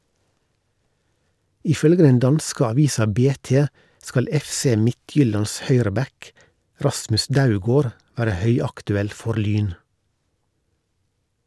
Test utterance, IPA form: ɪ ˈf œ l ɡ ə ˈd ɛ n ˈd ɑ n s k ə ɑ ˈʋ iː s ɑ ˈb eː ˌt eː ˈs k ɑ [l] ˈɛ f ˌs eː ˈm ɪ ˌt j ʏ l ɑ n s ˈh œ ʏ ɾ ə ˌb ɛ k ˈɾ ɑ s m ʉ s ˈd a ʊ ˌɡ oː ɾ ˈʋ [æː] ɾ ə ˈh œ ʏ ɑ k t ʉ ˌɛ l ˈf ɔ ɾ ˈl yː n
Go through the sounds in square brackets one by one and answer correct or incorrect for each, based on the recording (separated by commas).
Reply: correct, correct